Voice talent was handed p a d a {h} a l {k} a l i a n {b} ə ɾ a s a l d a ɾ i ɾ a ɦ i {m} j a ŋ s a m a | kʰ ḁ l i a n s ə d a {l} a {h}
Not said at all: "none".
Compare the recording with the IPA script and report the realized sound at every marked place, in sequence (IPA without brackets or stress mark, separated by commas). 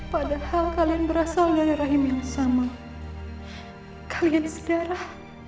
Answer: h, k, b, m, ɾ, h